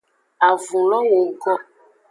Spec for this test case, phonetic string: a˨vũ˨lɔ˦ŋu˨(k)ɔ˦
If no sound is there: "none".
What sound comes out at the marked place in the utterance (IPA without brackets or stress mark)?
ɡ